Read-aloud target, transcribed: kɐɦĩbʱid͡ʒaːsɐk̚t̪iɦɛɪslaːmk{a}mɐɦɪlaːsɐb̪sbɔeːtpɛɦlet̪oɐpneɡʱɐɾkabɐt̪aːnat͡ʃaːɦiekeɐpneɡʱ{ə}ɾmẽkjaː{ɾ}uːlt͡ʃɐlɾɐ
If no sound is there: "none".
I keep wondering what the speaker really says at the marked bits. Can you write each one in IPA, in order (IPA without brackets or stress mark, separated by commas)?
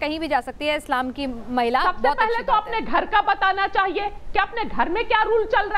i, ɐ, ɾ